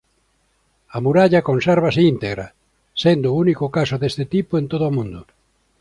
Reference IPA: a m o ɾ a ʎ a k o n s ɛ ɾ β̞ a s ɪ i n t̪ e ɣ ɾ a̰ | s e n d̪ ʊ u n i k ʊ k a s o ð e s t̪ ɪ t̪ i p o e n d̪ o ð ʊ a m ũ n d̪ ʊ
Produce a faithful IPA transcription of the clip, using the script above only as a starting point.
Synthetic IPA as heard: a m u ɾ a ʎ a k o n s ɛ ɾ β̞ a s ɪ i n t̪ e ɣ ɾ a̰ | s e n d̪ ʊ u n i k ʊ k a s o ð e s t̪ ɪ t̪ i p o e n t̪ o ð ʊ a m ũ n d̪ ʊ